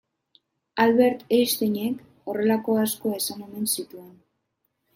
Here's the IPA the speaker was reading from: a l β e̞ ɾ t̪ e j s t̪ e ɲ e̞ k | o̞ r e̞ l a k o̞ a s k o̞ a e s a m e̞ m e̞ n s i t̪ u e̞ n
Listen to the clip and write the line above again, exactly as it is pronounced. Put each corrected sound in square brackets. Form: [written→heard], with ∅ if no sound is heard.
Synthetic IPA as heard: a l β e̞ ɾ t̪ e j s t̪ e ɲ e̞ k | o̞ r e̞ l a k o̞ a s k o̞ a e s a [m→n] e̞ m e̞ n s i t̪ u e̞ n